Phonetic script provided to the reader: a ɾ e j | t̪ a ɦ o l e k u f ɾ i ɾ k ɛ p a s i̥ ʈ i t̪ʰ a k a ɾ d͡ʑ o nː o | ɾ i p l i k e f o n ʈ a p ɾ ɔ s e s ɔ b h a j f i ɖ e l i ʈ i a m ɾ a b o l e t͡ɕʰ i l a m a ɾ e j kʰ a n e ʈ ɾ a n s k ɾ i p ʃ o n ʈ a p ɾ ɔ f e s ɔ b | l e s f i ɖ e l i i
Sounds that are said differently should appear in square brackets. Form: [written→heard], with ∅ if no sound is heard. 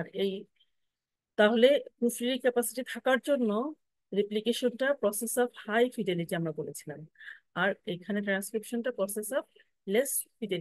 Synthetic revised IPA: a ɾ e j | t̪ a ɦ o l e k u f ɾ i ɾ k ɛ p a s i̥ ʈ i t̪ʰ a k a ɾ d͡ʑ o nː o | ɾ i p l i k e [f→ʃ] o n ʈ a p ɾ ɔ s e s ɔ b h a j f i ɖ e l i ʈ i a m ɾ a b o l e t͡ɕʰ i l a m a ɾ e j kʰ a n e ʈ ɾ a n s k ɾ i p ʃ o n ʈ a p ɾ ɔ [f→s] e s ɔ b | l e s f i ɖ e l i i

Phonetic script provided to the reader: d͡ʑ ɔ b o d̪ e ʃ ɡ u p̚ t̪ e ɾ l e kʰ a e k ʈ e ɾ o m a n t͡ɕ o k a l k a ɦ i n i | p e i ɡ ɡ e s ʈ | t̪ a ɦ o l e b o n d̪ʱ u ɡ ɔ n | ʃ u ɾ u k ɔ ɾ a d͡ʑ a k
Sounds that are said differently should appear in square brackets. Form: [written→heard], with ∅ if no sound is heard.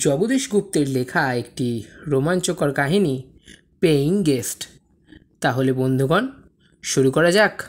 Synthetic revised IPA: d͡ʑ ɔ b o d̪ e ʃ ɡ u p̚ t̪ e ɾ l e kʰ a e k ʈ [e→i] ɾ o m a n t͡ɕ o k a [l→ɾ] k a ɦ i n i | p e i [ɡ→ŋ] ɡ e s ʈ | t̪ a ɦ o l e b o n d̪ʱ u ɡ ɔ n | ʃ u ɾ u k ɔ ɾ a d͡ʑ a k

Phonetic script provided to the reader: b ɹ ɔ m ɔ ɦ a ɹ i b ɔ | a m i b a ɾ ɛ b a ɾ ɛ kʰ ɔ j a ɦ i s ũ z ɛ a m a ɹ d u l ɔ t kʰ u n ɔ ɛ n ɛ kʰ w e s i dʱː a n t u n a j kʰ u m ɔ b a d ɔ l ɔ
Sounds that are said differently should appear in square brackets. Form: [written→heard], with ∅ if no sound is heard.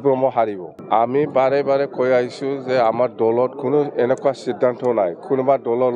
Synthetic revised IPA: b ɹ ɔ m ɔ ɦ a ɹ i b ɔ | a m i b a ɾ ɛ b a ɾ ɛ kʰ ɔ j a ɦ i s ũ z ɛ a m a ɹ d [u→ɔ] l ɔ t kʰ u n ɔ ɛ n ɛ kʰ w [e→a] s i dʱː a n t [u→ɔ] n a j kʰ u [m→n] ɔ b a d ɔ l ɔ

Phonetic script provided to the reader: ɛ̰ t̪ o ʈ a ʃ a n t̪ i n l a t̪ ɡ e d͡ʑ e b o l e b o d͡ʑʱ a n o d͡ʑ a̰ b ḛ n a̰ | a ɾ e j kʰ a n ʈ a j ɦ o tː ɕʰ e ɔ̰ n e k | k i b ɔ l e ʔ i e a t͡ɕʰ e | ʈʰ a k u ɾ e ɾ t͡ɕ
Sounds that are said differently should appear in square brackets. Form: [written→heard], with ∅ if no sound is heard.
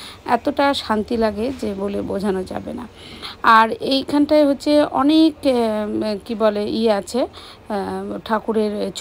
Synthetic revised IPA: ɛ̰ t̪ o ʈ a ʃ a n t̪ i [n→∅] l a [t̪→∅] ɡ e d͡ʑ e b o l e b o d͡ʑʱ a n o d͡ʑ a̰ b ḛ n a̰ | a ɾ e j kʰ a n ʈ a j ɦ o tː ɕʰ e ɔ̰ n e k | k i b ɔ l e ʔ i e a t͡ɕʰ e | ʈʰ a k u ɾ e ɾ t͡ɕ

